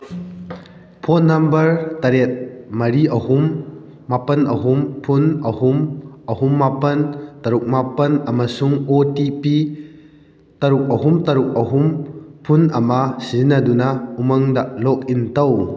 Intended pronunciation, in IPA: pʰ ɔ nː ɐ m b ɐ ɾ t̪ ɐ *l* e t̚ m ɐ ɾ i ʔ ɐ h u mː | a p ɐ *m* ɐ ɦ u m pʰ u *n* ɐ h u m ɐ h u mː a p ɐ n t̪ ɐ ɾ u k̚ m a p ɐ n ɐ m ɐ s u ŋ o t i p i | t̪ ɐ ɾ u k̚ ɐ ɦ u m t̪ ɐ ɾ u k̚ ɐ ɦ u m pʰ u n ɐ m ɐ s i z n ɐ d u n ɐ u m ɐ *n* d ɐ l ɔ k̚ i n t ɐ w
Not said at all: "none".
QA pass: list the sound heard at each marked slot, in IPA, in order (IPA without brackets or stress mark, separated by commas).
ɾ, n, n, ŋ